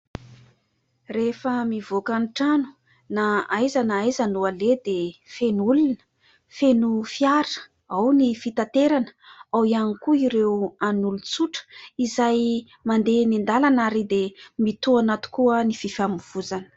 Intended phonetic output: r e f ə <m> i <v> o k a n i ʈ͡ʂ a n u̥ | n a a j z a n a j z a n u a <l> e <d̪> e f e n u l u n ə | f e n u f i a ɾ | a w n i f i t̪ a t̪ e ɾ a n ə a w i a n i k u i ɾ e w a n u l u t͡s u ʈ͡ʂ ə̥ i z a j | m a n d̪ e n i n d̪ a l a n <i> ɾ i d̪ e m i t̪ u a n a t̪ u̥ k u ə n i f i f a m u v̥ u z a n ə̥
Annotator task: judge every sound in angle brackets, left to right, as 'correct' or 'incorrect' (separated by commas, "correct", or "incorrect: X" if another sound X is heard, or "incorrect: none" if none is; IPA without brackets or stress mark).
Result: correct, correct, correct, correct, incorrect: a